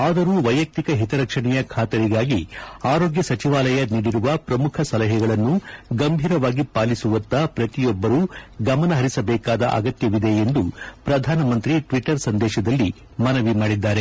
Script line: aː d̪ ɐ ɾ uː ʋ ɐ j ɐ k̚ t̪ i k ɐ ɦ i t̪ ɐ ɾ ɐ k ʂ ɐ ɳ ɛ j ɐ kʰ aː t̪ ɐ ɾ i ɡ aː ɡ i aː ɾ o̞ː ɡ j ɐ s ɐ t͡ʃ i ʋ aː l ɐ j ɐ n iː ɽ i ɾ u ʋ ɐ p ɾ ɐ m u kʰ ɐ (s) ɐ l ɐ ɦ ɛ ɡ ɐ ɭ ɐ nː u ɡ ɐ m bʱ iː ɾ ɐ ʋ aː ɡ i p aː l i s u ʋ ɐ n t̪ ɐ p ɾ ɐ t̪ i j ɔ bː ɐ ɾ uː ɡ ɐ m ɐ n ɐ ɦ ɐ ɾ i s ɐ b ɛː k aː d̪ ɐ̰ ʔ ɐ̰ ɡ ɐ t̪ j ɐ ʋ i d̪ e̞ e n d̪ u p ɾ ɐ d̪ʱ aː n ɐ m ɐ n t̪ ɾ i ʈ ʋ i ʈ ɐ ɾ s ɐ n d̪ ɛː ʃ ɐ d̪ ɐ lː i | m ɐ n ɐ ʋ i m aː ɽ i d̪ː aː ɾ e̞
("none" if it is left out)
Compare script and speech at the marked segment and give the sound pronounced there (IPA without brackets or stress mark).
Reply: s